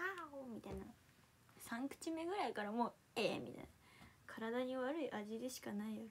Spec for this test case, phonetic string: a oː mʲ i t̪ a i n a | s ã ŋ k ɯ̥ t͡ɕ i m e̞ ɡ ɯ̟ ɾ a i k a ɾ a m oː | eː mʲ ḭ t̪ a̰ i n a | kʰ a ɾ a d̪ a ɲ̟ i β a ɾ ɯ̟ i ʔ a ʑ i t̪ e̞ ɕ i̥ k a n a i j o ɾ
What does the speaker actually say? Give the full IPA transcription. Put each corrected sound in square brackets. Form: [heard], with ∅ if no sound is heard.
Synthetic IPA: a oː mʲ i t̪ a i n a | s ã ŋ k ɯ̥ t͡ɕ i m e̞ ɡ ɯ̟ ɾ a i k a ɾ a m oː | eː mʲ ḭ t̪ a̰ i n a | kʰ a ɾ a d̪ a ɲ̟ i β a ɾ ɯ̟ i ʔ a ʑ i [d̪] e̞ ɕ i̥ k a n a i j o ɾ